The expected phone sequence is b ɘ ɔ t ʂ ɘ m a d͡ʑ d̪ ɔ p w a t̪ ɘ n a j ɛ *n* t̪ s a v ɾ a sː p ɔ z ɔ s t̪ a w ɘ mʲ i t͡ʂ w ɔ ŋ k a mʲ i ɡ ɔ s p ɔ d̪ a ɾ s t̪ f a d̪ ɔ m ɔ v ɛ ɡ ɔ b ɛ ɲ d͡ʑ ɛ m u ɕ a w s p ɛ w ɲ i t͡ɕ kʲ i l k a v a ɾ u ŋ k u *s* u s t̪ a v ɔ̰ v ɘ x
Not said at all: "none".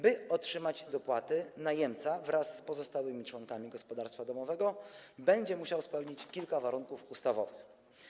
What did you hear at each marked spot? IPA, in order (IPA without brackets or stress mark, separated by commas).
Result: m, f